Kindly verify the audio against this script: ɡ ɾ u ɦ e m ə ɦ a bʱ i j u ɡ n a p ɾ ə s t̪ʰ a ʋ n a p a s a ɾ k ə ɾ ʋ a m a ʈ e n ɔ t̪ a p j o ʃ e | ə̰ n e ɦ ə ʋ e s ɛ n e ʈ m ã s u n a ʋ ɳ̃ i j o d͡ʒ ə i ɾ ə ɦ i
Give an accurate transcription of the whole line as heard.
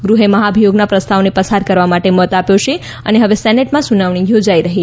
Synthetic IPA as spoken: ɡ ɾ u ɦ e m ə ɦ a bʱ i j o ɡ n a p ɾ ə s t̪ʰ a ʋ n e p ə s a ɾ k ə ɾ ʋ a m a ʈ e m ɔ t̪ a p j o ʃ e | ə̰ n e ɦ ə ʋ e s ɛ n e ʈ m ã s u n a ʋ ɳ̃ i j o d͡ʒ a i ɾ ə ɦ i